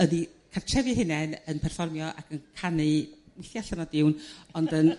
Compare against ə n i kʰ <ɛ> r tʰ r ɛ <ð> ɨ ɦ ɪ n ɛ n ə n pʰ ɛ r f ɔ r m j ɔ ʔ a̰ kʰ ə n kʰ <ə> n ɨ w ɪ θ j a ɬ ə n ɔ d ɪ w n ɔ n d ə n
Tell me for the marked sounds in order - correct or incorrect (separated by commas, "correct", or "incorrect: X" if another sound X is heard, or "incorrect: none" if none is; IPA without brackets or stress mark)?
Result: incorrect: a, incorrect: v, incorrect: a